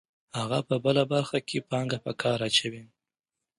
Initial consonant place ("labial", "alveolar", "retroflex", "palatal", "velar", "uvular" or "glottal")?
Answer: glottal